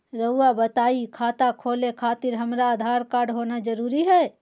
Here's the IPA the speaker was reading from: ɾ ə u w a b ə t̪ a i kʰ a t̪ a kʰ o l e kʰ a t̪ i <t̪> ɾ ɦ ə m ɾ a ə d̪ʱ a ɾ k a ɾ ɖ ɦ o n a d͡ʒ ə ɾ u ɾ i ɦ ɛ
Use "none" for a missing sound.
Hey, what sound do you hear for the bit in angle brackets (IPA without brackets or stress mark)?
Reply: none